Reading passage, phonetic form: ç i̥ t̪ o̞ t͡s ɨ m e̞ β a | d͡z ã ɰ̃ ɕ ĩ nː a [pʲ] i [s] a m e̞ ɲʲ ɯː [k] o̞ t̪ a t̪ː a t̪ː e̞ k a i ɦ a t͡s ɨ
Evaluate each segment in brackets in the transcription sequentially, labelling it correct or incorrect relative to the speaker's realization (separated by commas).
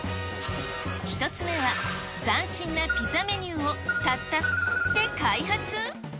correct, incorrect, incorrect